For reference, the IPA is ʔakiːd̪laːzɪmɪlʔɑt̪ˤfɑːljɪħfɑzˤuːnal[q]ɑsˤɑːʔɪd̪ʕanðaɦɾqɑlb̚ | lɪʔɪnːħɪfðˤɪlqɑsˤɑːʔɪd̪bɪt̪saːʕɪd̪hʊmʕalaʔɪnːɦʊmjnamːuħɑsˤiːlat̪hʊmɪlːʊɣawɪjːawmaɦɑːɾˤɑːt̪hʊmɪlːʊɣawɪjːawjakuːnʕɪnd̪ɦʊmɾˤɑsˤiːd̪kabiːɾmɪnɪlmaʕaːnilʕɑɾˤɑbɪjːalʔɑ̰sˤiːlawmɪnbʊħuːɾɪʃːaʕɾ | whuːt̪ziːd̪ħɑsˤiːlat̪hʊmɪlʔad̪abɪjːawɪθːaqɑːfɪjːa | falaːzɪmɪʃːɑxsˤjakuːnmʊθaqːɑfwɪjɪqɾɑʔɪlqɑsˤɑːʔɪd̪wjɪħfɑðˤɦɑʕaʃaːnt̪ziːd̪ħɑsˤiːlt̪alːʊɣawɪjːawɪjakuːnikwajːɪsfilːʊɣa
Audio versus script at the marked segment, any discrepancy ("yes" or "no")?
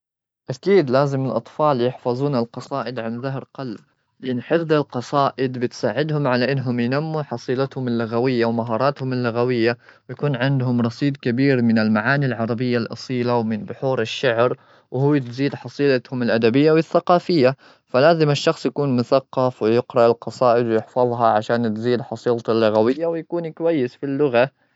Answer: no